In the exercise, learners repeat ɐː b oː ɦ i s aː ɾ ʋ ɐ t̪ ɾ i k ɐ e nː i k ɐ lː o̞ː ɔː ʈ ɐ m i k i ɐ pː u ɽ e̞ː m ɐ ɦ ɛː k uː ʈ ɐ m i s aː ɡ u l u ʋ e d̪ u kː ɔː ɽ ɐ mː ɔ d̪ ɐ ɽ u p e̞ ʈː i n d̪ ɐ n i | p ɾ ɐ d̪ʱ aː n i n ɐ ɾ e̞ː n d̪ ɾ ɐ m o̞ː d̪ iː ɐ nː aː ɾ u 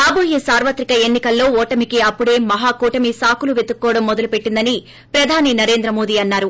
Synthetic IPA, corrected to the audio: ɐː b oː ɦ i s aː ɾ ʋ ɐ t̪ ɾ i k ɐ e nː i k ɐ lː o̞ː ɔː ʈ ɐ m i k i ɐ pː u ɽ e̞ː m ɐ ɦ aː k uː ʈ ɐ m i s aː k u l u ʋ e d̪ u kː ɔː ɽ ɐ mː ɔ d̪ ɐ l u p e̞ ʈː i n d̪ ɐ n i | p ɾ ɐ d̪ʱ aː n i n ɐ ɾ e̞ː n d̪ ɾ ɐ m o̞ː d̪ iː ɐ nː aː ɾ u